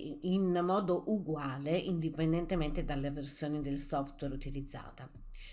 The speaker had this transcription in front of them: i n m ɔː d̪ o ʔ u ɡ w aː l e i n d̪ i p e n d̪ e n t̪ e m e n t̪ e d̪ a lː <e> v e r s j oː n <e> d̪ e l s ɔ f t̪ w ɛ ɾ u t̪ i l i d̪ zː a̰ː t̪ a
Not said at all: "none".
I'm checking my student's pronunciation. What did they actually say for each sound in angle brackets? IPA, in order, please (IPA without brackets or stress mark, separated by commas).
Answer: e, i